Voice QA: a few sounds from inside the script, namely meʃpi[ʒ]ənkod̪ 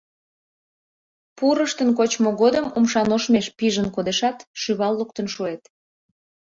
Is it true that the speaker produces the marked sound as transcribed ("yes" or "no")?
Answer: yes